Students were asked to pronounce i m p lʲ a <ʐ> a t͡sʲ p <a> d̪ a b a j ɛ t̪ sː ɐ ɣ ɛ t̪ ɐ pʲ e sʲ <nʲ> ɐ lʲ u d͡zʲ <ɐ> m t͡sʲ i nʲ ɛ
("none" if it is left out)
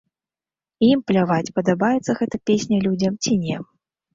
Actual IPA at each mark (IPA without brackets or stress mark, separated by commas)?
v, ɐ, nʲ, ɐ